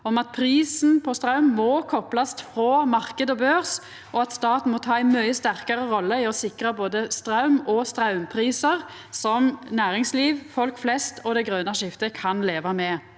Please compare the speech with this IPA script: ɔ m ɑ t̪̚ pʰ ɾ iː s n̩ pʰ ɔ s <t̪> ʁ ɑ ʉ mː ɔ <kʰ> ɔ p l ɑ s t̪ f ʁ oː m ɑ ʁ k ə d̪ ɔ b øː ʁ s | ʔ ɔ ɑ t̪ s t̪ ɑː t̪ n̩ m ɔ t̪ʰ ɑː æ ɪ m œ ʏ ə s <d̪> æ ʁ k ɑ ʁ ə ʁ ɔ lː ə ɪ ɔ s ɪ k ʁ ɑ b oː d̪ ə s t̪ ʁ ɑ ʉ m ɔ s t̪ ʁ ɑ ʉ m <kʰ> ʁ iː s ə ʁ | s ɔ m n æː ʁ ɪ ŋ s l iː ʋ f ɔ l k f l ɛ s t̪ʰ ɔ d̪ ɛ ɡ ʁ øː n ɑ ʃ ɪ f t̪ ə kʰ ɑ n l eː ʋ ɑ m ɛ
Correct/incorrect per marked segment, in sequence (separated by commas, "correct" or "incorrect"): correct, correct, incorrect, incorrect